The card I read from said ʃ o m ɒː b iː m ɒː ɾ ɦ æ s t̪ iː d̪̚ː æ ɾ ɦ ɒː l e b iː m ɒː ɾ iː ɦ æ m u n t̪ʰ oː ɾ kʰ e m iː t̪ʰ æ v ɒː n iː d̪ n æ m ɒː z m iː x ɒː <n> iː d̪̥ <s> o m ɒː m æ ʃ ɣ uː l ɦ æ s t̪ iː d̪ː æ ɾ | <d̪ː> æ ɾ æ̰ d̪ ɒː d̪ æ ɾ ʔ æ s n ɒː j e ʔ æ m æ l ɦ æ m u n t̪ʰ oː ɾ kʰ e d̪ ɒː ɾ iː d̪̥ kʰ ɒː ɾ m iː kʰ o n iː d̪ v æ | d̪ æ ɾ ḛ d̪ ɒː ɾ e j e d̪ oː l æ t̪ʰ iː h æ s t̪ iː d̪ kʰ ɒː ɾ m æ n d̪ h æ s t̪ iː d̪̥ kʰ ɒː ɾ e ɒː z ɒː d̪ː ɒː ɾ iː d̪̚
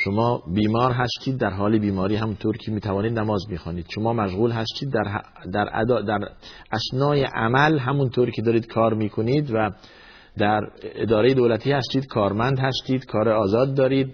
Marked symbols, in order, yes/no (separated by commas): yes, no, no